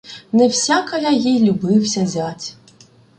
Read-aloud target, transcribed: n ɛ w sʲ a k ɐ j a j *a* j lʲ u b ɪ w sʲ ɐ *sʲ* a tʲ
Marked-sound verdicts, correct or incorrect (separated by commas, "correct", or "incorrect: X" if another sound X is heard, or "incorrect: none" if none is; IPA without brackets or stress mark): incorrect: i, incorrect: zʲ